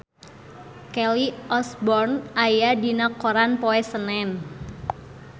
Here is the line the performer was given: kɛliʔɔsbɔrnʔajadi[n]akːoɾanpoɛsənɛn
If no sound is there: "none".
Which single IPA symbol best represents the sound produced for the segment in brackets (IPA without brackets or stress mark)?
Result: n